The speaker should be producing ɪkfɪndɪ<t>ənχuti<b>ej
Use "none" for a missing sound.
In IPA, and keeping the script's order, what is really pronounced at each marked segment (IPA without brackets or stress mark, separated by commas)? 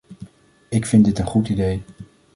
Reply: t, d